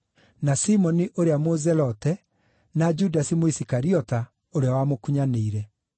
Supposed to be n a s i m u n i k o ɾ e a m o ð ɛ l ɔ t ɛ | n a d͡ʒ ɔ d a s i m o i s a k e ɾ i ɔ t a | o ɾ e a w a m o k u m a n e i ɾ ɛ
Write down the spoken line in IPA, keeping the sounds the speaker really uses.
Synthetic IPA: n a s i m ɔ n i ʔ o ɾ e a m o z ɛ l ɔ t ɛ | n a d͡ʒ u d a s i m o i s i k a ɾ i ɔ t a | o ɾ e a w a m o k u ɲ a n e i ɾ ɛ

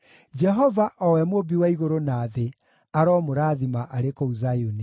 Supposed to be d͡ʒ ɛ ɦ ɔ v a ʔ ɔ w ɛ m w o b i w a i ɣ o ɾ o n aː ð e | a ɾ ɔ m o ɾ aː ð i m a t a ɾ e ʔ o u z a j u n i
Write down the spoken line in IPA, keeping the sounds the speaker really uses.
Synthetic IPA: d͡ʒ ɛ ɦ ɔ v a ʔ ɔ w ɛ m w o b i w a i ɣ o ɾ o n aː ð e | a ɾ ɔ m o ɾ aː ð i m a ʔ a ɾ e k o u z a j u n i

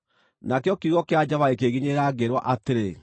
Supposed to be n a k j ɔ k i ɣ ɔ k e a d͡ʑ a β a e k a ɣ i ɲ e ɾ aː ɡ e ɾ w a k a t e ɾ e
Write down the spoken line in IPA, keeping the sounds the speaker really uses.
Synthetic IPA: n a k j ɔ k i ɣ ɔ k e a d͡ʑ a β a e k e ɣ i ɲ e ɾ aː ɡ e ɾ w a ʔ a t e ɾ e

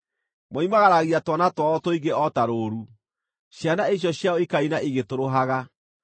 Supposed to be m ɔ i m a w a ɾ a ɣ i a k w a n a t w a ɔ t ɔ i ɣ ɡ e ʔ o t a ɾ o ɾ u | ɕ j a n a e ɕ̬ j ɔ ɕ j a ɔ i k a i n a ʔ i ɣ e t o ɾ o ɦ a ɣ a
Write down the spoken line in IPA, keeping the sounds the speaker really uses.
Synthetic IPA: m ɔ i m a ɣ a ɾ a ɣ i a t w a n a t w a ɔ t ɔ i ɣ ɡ e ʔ ɔ t a ɾ o ɾ u | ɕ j a n a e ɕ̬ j ɔ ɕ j a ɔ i k a i n a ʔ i ɣ e t o ɾ o ɦ a ɣ a

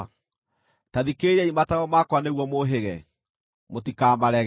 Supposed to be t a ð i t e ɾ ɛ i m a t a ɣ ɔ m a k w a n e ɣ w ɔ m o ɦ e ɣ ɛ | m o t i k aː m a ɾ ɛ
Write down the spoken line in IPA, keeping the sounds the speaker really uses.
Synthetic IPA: t a ð i k e ɾ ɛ i m a t a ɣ ɔ m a k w a n e ɣ w ɔ m o ɦ e ɣ ɛ | m o t i k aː m a ɾ ɛ

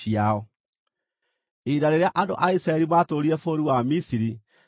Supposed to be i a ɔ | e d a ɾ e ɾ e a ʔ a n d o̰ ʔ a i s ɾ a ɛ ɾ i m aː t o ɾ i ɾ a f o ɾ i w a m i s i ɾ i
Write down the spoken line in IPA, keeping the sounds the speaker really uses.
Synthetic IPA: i a ɔ | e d a ɾ e ɾ e a ʔ a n d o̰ ʔ a i s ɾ a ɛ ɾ i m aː t o ɾ i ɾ ɛ f o ɾ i w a m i s i ɾ i

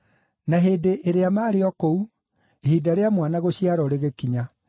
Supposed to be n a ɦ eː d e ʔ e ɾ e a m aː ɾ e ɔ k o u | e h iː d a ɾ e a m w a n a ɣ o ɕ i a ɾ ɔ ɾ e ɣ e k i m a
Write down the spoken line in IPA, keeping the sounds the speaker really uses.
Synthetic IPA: n a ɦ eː d e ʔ e ɾ e a m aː ɾ e ɔ k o u | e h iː d a ɾ e a m w a n a ɣ o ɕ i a ɾ ɔ ɾ e ɣ e k i ɲ a

